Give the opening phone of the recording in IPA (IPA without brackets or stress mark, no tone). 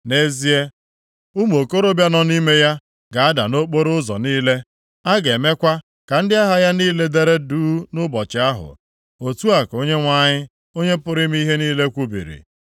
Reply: n